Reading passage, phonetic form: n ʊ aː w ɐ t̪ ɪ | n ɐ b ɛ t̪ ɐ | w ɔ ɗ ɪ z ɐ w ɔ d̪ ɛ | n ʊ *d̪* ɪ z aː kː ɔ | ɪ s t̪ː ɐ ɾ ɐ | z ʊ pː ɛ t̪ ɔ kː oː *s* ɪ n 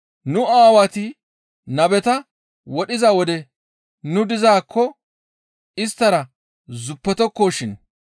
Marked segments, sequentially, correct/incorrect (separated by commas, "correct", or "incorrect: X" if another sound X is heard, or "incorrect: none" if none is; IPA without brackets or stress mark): correct, incorrect: ʃ